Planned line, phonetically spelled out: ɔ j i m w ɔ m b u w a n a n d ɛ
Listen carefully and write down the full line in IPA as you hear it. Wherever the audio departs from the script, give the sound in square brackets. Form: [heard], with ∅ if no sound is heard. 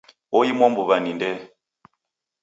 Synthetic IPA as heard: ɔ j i m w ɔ m b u [β] a n [i] n d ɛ